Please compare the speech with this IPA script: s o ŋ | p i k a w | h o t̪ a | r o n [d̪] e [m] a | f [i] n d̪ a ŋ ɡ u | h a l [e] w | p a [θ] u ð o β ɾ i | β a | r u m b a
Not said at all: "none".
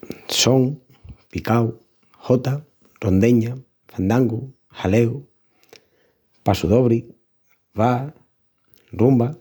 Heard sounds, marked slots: d̪, ɲ, a, e, s

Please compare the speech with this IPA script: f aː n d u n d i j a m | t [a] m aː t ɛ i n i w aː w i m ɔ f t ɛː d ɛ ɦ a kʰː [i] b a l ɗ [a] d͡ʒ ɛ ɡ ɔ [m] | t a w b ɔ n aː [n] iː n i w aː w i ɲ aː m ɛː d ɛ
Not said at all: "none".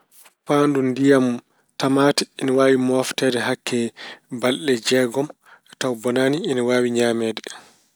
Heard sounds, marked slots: a, ɛ, ɛ, m, n

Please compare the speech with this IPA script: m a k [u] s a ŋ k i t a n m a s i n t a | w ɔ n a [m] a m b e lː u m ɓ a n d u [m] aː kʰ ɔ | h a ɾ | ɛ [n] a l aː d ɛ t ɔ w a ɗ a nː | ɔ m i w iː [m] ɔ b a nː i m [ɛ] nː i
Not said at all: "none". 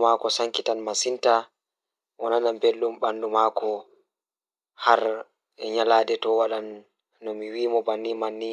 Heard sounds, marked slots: ɔ, n, m, ɲ, m, a

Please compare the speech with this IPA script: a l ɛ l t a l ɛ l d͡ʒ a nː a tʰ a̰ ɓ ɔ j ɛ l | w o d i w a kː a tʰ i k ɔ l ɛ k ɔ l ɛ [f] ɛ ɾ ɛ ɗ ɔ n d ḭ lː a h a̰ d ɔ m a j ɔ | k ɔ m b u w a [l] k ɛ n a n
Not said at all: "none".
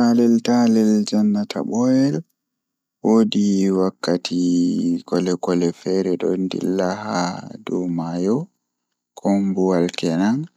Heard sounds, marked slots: f, l

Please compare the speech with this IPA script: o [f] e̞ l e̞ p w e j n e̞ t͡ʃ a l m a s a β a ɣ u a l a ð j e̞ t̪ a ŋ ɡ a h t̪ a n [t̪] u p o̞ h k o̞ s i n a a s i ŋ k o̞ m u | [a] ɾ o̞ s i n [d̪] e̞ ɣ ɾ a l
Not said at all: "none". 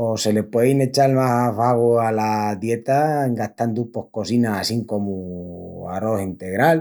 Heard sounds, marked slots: s, d̪, a, t̪

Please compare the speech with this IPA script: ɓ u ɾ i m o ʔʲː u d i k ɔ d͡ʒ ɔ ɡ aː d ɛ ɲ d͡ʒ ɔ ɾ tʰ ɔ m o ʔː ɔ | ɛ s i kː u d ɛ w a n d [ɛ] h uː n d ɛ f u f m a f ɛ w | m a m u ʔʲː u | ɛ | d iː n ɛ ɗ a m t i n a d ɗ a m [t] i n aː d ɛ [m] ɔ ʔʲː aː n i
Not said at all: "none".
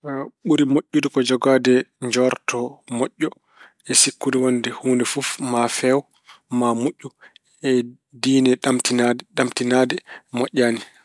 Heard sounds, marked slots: ɛ, t, m

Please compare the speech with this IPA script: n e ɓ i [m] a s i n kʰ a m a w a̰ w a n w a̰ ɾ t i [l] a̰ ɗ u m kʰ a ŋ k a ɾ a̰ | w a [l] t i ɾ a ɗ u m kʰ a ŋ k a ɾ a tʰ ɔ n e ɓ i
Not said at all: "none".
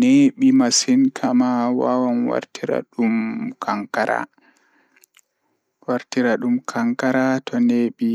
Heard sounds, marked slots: m, ɾ, ɾ

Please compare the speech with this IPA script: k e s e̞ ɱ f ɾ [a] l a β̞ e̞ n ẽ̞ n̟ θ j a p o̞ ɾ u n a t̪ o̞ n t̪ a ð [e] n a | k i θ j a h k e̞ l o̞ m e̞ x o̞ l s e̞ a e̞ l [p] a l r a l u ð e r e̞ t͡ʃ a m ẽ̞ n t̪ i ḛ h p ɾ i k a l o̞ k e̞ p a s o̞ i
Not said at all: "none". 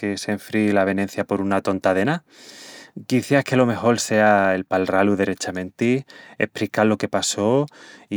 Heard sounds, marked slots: i, e, p

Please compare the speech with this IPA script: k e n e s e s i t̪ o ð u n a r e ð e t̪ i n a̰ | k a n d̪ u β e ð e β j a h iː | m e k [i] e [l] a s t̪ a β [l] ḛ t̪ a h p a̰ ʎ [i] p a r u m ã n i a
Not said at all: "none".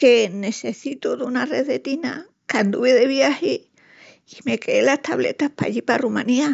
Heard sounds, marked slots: e, l, l, i

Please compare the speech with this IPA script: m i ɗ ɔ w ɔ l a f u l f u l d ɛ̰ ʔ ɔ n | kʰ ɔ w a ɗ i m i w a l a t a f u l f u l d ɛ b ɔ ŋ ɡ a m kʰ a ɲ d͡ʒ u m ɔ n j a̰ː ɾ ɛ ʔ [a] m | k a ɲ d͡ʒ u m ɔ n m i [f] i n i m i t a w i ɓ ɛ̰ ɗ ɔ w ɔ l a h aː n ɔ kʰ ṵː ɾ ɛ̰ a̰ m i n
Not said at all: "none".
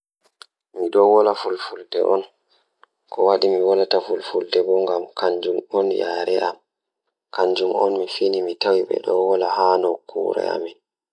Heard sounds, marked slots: a, f

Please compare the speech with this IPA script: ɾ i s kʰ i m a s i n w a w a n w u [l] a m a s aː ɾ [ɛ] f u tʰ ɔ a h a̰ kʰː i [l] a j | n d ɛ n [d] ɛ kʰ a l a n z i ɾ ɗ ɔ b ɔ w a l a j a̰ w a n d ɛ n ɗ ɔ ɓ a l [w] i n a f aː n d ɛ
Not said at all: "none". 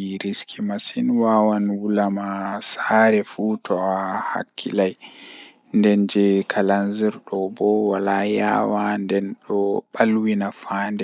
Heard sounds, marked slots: l, ɛ, l, d͡ʒ, w

